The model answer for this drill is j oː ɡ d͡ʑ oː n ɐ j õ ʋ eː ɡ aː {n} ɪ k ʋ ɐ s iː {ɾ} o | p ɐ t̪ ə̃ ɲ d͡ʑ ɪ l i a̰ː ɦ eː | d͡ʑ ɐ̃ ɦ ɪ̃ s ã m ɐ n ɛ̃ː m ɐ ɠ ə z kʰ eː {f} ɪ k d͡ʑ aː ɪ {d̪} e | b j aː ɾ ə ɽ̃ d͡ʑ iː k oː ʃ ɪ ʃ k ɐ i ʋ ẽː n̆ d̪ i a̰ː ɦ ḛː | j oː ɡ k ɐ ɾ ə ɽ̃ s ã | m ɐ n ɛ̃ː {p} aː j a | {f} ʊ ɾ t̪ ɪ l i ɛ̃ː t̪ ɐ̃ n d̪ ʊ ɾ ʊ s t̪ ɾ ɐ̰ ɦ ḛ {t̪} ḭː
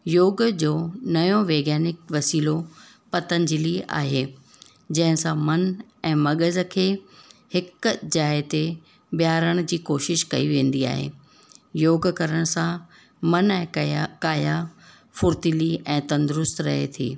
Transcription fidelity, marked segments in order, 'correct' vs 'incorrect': correct, incorrect, incorrect, incorrect, incorrect, correct, incorrect

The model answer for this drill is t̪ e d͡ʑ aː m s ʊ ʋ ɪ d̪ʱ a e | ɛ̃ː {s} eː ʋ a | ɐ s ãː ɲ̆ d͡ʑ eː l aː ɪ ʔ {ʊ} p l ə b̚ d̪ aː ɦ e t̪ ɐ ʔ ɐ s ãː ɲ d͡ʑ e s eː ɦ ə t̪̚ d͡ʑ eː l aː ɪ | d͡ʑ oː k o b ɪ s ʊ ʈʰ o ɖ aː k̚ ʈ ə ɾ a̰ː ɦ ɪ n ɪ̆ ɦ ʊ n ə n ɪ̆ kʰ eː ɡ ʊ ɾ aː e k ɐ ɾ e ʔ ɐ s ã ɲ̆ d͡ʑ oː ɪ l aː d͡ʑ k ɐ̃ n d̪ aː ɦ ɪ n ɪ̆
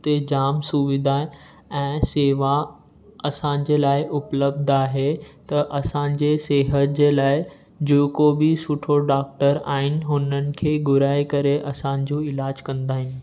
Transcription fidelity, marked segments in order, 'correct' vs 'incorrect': correct, correct

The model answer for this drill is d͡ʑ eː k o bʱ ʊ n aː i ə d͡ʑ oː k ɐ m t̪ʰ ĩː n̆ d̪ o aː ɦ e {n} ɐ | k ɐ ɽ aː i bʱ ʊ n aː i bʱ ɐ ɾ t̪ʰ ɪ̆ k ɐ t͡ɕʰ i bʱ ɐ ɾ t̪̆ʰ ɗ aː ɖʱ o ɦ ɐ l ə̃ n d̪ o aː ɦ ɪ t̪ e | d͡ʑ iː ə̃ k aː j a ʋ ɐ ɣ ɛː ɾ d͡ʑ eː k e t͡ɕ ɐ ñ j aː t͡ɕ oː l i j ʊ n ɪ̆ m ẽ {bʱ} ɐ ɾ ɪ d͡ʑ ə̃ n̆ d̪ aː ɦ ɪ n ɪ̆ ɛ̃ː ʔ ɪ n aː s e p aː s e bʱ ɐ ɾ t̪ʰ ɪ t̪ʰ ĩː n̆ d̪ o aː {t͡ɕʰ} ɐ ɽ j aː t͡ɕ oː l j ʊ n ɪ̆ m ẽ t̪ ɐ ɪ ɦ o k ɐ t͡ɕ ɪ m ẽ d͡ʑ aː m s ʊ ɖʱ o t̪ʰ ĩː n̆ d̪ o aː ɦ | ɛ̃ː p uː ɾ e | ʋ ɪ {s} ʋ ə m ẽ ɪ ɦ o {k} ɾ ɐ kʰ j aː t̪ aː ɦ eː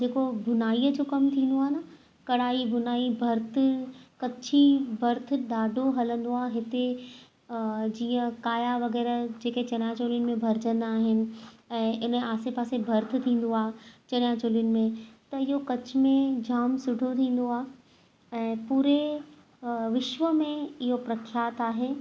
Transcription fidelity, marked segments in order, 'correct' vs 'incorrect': correct, correct, incorrect, incorrect, incorrect

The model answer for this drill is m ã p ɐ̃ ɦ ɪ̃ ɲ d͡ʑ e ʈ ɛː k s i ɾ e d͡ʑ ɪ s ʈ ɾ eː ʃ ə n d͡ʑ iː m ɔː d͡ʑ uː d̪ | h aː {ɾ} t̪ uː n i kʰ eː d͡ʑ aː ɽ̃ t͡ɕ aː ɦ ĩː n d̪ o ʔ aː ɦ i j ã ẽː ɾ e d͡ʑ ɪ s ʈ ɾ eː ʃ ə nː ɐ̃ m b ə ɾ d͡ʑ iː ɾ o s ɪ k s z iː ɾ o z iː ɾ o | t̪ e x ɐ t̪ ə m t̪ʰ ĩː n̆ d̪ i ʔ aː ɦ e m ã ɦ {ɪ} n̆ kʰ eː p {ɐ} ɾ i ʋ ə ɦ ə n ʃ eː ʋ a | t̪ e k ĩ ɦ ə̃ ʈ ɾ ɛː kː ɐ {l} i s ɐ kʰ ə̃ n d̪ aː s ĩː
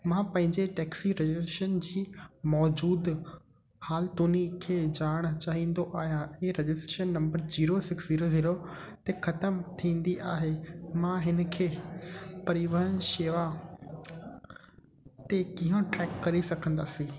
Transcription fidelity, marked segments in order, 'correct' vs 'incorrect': incorrect, correct, correct, incorrect

